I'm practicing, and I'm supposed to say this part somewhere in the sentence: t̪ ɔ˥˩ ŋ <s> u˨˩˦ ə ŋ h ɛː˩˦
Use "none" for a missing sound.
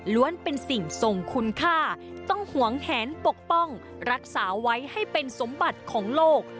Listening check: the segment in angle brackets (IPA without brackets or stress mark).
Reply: h